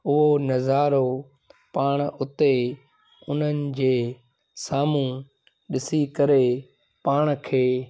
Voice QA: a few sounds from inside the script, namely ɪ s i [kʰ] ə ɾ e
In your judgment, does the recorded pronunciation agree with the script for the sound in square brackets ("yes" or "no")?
no